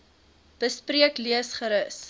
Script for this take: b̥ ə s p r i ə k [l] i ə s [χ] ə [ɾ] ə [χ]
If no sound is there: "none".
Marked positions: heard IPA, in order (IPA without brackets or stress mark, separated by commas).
l, χ, ɾ, s